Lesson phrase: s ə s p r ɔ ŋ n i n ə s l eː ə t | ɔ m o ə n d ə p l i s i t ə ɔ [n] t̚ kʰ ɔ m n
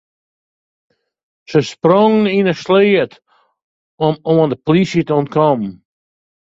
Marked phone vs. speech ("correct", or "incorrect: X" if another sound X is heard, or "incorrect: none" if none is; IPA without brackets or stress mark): correct